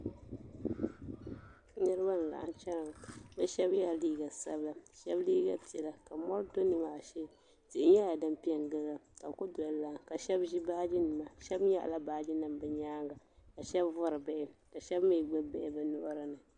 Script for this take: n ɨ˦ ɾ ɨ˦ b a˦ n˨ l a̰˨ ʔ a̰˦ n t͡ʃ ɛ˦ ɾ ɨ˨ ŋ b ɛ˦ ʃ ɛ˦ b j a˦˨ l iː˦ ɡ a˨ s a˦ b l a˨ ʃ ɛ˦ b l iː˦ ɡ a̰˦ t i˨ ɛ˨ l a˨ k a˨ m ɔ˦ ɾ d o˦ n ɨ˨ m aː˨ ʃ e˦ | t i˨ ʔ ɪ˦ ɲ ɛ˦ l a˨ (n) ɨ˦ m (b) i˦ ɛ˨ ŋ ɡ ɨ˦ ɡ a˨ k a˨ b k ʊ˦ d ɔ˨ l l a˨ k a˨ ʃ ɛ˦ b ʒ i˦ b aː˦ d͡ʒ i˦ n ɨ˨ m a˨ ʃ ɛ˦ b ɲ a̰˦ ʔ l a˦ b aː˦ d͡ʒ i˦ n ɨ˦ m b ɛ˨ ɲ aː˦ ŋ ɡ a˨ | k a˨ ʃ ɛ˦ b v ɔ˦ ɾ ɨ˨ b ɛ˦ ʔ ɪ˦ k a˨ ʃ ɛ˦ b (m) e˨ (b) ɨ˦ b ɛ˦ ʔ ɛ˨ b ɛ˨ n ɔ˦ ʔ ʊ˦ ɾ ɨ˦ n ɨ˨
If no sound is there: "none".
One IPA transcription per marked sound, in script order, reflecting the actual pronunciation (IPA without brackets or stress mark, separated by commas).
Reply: d, p, m, ɡ͡b